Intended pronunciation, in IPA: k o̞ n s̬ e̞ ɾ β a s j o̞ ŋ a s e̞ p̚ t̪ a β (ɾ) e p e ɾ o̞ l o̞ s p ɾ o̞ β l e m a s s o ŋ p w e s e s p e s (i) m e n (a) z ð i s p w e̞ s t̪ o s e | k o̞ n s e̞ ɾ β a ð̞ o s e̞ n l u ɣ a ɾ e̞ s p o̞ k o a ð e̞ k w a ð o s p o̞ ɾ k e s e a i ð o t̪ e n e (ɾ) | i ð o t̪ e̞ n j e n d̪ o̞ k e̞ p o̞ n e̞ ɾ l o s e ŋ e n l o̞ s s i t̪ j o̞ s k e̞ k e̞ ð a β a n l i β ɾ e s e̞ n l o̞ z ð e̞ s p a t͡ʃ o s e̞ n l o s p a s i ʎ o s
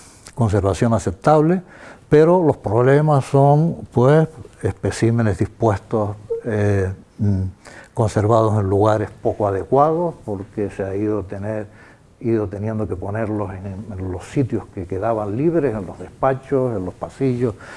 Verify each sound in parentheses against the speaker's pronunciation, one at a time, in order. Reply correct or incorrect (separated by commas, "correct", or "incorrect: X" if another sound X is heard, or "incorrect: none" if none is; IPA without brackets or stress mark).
incorrect: l, correct, incorrect: e, correct